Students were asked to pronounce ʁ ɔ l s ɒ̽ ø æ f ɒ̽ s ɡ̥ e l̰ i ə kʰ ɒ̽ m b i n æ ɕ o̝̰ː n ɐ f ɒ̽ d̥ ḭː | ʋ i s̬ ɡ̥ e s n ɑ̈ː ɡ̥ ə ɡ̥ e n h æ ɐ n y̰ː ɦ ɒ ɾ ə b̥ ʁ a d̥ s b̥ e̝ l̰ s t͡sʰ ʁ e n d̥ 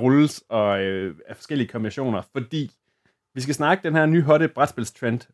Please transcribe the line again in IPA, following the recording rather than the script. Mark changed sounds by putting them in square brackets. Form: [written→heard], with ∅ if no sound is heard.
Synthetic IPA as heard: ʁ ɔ l s ɒ̽ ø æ f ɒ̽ s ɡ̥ e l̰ i ə kʰ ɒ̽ m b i n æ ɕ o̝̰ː n ɐ f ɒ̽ d̥ ḭː | ʋ i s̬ ɡ̥ [e→æ] s n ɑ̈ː ɡ̥ ə [ɡ̥→d̥] e n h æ ɐ n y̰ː ɦ ɒ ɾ ə b̥ ʁ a d̥ s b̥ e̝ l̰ s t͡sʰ ʁ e n d̥